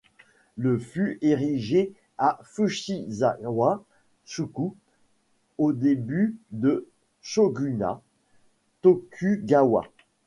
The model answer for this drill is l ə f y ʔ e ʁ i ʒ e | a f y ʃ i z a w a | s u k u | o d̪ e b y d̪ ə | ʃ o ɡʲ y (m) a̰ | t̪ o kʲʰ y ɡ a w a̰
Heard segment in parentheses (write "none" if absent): n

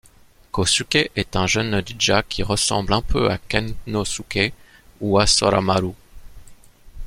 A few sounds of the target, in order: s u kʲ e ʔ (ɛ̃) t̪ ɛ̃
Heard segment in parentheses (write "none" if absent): ɛ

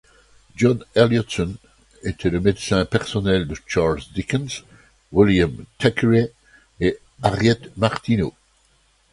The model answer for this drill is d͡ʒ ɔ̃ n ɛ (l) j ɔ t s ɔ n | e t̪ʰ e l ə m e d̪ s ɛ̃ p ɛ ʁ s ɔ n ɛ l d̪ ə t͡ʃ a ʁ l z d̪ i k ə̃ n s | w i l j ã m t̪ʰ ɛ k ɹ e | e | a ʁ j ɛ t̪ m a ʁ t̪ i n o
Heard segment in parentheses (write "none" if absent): l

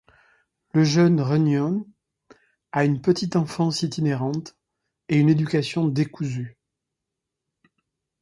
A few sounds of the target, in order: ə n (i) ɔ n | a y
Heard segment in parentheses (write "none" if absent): j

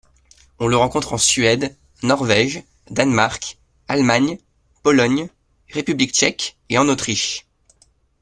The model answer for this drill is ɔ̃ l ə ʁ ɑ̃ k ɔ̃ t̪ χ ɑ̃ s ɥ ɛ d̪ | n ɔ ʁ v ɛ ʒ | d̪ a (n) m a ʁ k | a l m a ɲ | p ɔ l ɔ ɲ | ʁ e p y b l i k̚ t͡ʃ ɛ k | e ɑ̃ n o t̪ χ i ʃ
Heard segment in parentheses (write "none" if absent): n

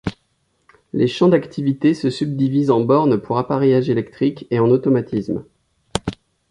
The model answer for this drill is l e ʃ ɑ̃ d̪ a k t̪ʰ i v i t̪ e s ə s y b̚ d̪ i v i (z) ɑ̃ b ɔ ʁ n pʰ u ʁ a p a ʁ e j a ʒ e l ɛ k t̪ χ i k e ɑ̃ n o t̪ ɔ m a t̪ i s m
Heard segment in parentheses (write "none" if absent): z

